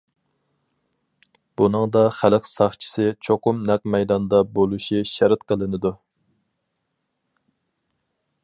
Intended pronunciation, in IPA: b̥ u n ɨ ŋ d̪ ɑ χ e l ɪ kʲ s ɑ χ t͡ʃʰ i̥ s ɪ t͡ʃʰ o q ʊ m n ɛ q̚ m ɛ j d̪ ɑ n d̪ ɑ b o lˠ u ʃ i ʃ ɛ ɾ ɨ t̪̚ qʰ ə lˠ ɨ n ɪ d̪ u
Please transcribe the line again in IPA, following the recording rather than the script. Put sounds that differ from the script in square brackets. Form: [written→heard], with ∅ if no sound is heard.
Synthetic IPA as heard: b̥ u n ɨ ŋ d̪ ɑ χ [e→æ] l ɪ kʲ s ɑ χ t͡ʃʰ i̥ s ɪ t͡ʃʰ o q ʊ m n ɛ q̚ m ɛ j d̪ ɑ n d̪ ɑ b o lˠ u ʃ i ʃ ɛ ɾ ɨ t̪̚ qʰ ə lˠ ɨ n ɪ d̪ u